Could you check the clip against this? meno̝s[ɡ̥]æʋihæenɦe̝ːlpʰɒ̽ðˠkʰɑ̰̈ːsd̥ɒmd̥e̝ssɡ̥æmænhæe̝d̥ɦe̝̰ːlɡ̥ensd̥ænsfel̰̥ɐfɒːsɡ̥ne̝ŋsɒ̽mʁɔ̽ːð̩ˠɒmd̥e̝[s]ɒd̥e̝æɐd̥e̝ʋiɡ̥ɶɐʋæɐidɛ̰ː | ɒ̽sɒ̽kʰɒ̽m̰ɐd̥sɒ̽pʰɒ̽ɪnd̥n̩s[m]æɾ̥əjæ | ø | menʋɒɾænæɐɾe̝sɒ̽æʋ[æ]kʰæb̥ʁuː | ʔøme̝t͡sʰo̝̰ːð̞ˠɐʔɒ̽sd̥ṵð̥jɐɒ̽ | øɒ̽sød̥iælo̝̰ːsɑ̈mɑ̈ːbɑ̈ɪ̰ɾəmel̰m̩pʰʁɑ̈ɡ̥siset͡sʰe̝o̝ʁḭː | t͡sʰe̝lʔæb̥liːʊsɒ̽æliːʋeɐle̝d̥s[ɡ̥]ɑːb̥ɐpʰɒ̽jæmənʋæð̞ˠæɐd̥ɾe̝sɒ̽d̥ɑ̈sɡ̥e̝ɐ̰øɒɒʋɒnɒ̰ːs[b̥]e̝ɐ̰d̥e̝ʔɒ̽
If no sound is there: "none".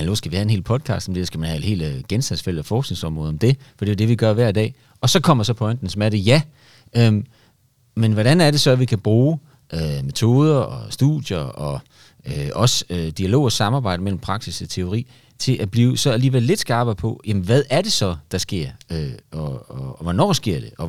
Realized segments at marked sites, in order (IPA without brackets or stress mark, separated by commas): ɡ̥, f, m, i, ɡ̥, ɡ̥